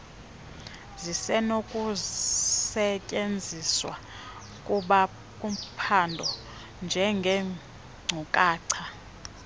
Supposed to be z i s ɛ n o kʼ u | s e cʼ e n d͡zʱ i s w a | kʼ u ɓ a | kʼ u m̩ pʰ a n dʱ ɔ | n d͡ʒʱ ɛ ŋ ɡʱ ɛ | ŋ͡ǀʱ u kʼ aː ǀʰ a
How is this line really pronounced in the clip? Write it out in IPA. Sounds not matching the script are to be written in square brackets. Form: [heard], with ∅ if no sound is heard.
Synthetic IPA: z i s ɛ n o kʼ u | s [ɛ] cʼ e n d͡zʱ i s w a | kʼ u ɓ a | kʼ u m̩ pʰ a n dʱ ɔ | n d͡ʒʱ ɛ ŋ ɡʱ ɛ | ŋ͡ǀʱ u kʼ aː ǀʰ a